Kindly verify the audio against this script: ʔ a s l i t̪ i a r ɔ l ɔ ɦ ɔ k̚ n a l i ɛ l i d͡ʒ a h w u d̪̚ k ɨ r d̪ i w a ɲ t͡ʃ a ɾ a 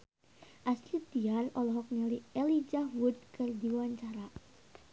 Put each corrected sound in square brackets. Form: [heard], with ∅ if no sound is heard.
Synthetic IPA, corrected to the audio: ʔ a s l i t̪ i a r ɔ l ɔ ɦ ɔ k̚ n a l i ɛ l i d͡ʒ a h w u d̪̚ k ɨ r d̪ i w a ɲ t͡ʃ a ɾ a